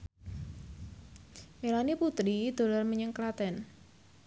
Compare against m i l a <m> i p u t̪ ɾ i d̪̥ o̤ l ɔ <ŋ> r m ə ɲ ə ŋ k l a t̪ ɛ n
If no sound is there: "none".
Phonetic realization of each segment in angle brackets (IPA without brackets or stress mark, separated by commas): n, none